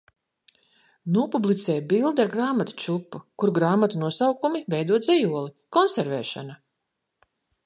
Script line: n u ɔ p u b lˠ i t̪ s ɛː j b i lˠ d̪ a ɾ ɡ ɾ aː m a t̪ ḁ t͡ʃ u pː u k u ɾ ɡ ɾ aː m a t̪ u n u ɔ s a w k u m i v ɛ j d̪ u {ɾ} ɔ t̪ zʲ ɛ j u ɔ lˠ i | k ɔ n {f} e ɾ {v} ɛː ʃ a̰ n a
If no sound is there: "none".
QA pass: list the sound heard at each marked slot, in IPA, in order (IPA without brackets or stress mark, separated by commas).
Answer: none, s, v